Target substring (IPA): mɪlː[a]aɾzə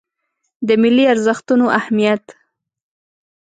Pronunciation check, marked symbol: incorrect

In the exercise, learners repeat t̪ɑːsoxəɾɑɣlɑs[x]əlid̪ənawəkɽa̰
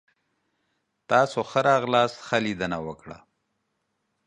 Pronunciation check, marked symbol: correct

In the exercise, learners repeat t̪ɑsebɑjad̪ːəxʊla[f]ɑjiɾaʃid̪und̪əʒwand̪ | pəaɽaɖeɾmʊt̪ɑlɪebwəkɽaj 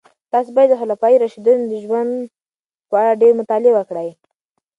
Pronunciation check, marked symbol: correct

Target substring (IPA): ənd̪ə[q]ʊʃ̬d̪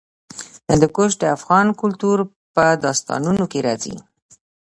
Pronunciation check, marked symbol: incorrect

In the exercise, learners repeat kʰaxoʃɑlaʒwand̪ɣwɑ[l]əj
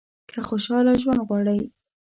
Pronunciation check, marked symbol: incorrect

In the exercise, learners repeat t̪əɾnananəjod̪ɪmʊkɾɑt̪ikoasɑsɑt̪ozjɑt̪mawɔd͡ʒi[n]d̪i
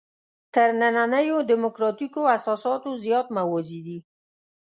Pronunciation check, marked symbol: incorrect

